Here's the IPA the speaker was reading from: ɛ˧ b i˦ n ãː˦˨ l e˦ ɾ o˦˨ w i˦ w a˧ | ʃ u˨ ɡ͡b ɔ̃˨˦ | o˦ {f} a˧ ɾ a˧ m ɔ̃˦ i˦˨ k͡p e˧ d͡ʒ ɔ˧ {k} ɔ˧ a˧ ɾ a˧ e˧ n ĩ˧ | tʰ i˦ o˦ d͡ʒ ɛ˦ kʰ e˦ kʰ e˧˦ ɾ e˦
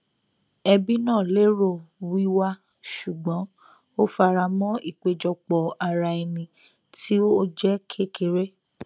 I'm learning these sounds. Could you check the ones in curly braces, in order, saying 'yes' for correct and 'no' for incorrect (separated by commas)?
yes, no